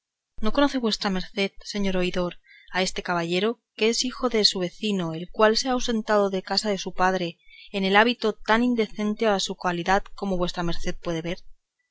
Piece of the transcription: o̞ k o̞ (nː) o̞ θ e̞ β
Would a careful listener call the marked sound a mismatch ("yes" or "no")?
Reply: yes